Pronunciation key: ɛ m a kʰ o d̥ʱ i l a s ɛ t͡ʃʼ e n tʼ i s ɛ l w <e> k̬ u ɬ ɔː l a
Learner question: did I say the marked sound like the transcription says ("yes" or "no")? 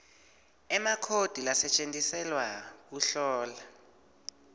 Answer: no